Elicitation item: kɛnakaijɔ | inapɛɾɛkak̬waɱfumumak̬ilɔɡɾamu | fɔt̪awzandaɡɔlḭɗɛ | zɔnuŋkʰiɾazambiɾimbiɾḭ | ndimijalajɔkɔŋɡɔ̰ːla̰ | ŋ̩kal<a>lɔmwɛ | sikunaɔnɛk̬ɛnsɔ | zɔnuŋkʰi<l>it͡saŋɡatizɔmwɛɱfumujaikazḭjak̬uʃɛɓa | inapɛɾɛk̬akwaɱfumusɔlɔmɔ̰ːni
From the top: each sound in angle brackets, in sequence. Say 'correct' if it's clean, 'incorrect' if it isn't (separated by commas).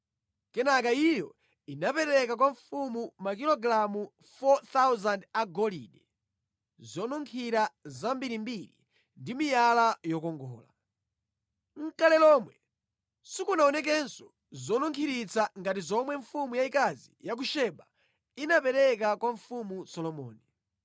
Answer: incorrect, incorrect